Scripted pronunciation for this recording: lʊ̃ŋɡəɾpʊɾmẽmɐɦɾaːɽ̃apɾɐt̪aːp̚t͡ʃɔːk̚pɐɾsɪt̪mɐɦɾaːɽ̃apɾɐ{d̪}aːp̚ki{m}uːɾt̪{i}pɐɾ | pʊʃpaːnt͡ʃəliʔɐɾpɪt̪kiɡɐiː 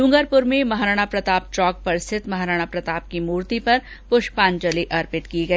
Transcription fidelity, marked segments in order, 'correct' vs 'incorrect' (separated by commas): incorrect, correct, correct